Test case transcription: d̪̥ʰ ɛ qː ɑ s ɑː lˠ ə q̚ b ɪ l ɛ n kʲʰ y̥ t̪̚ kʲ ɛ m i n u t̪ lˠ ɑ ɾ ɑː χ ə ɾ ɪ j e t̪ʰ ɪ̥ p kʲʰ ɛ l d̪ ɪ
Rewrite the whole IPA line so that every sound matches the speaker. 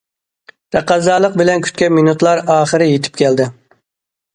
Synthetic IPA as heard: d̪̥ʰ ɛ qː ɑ z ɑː lˠ ə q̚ b ɪ l ɛ n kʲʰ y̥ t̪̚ kʲ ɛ m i n u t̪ lˠ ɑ ɾ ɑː χ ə ɾ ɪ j e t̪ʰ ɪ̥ p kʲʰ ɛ l d̪ ɪ